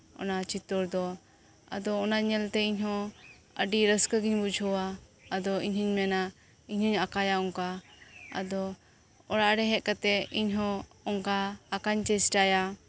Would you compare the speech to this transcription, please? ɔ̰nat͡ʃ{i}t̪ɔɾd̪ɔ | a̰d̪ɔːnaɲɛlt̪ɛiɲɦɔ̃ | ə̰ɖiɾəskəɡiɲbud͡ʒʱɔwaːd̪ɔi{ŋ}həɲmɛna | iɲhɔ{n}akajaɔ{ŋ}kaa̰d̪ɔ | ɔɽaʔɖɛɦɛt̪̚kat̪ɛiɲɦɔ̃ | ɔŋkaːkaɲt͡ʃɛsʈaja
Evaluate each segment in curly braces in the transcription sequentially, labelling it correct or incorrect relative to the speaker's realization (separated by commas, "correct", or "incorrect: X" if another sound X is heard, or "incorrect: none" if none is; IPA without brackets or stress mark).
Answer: correct, incorrect: ɲ, incorrect: ɲ, correct